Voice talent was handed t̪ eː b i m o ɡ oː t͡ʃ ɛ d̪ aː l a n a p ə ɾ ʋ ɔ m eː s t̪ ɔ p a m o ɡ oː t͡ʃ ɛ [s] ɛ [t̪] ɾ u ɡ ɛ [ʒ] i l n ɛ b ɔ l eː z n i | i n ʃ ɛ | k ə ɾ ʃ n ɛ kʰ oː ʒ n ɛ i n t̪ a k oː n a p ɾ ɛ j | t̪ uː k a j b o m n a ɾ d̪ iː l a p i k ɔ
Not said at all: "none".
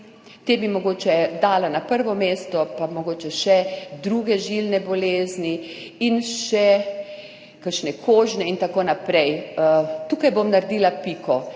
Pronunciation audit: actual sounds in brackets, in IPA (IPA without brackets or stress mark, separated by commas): ʃ, d̪, ʒ